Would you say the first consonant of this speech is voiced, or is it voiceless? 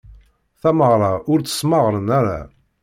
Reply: voiceless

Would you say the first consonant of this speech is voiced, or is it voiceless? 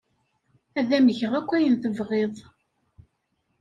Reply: voiced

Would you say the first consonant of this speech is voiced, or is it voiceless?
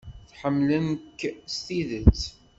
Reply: voiceless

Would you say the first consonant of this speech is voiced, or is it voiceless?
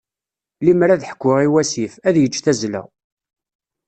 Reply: voiced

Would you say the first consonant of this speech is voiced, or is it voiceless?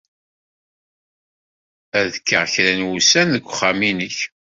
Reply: voiced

